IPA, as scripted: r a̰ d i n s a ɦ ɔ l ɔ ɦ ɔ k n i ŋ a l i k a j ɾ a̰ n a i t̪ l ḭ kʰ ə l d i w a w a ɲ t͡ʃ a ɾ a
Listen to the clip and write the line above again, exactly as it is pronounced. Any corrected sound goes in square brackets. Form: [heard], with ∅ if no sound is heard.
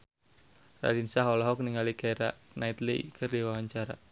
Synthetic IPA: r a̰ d i n s a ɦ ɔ l ɔ ɦ ɔ k n i ŋ a l i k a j ɾ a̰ n a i t̪ l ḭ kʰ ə [r] d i w a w a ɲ t͡ʃ a ɾ a